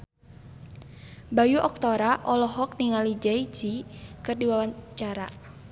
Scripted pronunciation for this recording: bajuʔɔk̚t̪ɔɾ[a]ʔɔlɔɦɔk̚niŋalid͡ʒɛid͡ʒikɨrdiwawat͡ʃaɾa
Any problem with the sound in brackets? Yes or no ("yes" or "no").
no